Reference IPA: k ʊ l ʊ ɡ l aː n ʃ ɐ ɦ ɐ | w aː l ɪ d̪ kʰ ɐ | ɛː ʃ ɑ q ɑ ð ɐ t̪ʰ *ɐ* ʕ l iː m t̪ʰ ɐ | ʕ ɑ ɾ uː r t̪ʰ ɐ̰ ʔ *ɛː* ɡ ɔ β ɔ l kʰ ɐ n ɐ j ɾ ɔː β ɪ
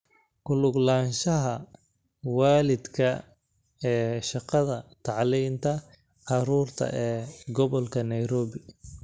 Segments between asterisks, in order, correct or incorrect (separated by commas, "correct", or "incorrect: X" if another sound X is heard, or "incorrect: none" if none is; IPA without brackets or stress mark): incorrect: ɑ, correct